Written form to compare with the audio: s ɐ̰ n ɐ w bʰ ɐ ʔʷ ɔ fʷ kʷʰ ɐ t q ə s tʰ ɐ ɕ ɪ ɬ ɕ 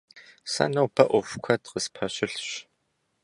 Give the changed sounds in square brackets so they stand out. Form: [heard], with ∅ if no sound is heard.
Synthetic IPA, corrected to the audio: s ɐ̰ n ɐ w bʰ ɐ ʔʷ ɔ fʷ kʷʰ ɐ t q ə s [pʰ] ɐ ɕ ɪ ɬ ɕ